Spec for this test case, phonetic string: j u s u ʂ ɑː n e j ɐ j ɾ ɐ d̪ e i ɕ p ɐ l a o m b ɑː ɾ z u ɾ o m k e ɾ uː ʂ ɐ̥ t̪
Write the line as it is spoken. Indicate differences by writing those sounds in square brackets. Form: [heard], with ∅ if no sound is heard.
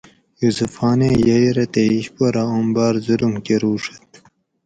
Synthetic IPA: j u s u [f] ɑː n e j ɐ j ɾ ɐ [t̪] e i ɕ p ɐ [ɾ] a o m b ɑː ɾ z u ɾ [u] m k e ɾ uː ʂ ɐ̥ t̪